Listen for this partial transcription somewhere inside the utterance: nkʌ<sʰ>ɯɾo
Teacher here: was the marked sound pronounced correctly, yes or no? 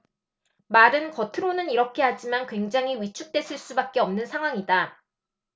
no